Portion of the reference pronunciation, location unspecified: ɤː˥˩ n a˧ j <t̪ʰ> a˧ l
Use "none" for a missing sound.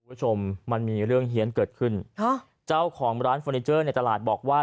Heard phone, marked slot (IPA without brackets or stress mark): t̪